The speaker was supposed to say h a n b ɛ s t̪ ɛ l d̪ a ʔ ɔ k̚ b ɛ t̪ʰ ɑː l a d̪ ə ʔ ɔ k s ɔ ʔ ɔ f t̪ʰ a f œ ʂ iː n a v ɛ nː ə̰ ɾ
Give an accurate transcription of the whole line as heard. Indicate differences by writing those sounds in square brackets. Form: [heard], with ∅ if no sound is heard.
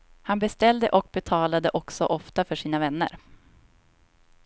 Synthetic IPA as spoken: h a n b ɛ s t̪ ɛ l d̪ [ə] ʔ ɔ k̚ b ɛ t̪ʰ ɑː l a d̪ ə ʔ ɔ k s ɔ ʔ ɔ f [t̪] a f œ ʂ iː n a v ɛ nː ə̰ ɾ